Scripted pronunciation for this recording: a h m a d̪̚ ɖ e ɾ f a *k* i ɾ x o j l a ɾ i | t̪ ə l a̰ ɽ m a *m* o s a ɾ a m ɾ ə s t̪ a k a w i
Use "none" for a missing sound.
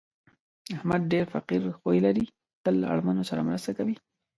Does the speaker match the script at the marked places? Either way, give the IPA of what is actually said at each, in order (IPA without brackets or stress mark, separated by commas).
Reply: q, n